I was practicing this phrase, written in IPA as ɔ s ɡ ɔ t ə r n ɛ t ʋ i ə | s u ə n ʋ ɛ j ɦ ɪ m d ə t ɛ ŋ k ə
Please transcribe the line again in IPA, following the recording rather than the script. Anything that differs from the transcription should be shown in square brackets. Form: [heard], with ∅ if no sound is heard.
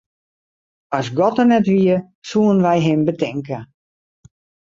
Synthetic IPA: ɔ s ɡ ɔ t ə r n ɛ t ʋ i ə | s u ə n ʋ ɛ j ɦ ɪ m [b] ə t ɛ ŋ k ə